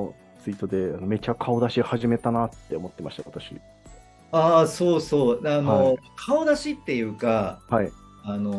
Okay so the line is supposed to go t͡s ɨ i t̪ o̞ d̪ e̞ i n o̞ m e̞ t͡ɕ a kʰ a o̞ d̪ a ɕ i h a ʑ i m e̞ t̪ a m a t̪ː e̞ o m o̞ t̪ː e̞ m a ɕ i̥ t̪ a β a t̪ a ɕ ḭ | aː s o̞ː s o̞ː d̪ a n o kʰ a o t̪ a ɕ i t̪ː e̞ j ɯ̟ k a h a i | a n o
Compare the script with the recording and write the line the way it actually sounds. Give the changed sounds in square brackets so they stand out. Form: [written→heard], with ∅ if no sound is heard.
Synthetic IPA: t͡s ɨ i t̪ o̞ d̪ e̞ [i→a] n o̞ m e̞ t͡ɕ a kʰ a o̞ d̪ a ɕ i h a ʑ i m e̞ t̪ a [m→n] a t̪ː e̞ o m o̞ t̪ː e̞ m a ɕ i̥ t̪ a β a t̪ a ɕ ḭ | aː s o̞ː s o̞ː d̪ a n o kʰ a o [t̪→d̪] a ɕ i t̪ː e̞ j [ɯ̟→ɯ̟ː] k a h a i | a n o